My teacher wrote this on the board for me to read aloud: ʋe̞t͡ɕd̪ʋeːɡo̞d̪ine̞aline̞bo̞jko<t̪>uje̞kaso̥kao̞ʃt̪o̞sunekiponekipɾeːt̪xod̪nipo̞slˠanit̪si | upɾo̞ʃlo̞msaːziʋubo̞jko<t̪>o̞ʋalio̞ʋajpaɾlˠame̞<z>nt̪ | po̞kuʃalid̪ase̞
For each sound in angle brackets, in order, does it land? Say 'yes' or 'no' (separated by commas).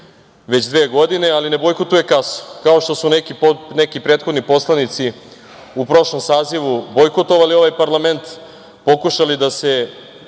yes, yes, no